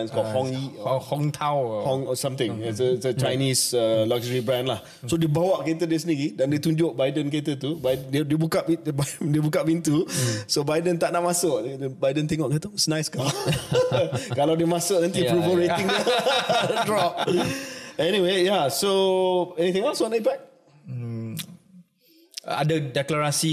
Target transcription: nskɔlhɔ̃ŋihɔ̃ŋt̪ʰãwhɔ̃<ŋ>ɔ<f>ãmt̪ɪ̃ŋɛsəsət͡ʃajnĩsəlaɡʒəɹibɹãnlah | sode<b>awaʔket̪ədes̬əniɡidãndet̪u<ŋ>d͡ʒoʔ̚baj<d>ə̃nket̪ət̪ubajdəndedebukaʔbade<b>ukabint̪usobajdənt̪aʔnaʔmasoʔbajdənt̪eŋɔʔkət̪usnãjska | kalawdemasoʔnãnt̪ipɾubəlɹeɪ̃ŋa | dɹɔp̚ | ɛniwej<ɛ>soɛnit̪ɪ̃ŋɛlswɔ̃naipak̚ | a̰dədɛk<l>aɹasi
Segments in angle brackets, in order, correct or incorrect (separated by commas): correct, incorrect, correct, incorrect, correct, correct, incorrect, correct